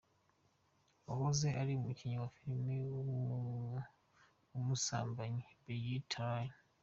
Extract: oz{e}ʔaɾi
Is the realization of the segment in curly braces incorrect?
no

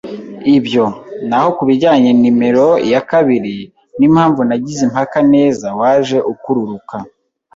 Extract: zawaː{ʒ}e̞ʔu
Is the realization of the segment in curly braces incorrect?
no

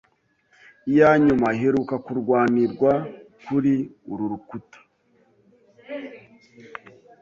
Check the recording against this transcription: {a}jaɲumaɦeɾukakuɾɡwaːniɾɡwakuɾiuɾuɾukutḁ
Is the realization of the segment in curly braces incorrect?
yes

